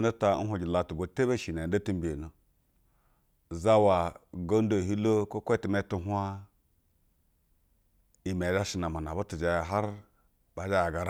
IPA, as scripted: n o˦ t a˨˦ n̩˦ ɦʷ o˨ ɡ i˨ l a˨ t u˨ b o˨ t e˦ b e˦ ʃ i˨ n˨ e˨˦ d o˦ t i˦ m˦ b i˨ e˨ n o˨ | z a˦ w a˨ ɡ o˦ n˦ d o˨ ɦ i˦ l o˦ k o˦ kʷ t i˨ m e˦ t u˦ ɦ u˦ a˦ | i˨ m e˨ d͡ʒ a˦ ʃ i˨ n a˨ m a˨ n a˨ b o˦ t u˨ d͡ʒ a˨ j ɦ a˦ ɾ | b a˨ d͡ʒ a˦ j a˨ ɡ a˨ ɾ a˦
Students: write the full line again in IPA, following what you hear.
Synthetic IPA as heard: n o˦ t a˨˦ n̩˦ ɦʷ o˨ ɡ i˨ l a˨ t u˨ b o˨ t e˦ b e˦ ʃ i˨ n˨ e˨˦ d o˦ t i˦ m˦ b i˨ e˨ n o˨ | z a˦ w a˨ ɡ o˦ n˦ d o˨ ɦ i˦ l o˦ k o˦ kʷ t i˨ m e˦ t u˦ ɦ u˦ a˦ | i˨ m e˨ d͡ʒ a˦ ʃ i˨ n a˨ m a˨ n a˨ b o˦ t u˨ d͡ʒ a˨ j ɦ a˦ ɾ | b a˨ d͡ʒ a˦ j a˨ ɡ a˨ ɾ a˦